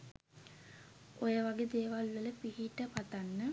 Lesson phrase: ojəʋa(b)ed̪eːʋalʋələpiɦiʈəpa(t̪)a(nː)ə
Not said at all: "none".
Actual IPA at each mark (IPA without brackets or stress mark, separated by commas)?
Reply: ɡ, t̪, nː